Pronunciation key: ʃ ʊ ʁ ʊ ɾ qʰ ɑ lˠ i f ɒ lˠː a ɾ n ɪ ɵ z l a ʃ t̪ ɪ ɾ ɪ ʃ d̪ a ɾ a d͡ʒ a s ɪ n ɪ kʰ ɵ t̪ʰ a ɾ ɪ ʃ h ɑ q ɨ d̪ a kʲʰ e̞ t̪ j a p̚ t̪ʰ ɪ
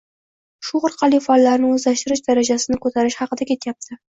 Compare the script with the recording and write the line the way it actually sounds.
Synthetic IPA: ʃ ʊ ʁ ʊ ɾ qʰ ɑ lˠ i f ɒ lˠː a ɾ n ɪ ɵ z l a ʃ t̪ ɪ ɾ ɪ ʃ d̪ a ɾ a d͡ʒ a s ɪ n ɪ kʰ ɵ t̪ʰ a ɾ ɪ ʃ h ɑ q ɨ d̪ a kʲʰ e̞ t̪ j a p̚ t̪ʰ ɪ